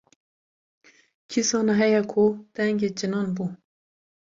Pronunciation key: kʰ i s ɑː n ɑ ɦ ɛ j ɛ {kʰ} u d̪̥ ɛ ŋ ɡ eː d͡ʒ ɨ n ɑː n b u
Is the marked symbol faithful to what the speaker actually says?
yes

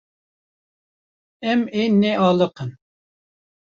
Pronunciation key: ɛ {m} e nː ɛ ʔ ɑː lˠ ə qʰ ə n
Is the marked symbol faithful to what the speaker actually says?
yes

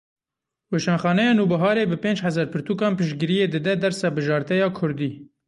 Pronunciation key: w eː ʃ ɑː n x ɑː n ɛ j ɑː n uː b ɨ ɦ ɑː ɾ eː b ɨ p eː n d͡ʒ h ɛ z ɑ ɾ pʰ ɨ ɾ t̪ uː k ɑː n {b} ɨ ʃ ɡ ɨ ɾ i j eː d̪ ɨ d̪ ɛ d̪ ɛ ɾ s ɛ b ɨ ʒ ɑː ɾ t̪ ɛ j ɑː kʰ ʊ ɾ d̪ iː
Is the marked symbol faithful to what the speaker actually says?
no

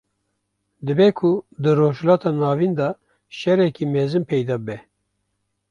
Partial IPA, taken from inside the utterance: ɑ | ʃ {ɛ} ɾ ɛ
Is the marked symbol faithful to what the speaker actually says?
yes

